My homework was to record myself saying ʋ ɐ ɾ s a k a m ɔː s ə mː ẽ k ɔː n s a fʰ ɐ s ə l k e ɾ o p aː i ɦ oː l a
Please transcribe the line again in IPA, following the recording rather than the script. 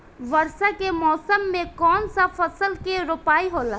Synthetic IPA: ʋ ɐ ɾ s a k e m ɔː s ə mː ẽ k ɔː n s a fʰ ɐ s ə l k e ɾ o p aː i ɦ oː l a